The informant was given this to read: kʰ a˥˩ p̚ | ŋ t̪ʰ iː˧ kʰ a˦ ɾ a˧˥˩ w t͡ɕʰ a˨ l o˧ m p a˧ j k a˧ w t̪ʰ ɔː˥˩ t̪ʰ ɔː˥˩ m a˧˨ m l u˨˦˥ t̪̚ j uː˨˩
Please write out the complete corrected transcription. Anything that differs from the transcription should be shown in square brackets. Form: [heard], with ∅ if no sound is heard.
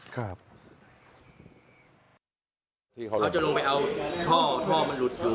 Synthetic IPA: kʰ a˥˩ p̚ | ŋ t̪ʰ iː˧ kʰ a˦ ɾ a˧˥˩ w [t͡ɕ] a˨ l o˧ [ŋ] p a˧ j [ʔ] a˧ w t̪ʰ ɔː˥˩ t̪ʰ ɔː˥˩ m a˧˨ [n] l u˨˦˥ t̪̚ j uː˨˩